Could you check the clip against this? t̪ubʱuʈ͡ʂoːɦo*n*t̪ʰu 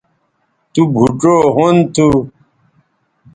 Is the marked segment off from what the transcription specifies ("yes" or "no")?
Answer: no